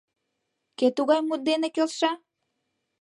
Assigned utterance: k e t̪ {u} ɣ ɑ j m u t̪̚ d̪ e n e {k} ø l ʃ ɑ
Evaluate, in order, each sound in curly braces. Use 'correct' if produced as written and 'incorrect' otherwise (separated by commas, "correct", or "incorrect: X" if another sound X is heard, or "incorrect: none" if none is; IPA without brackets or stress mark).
correct, correct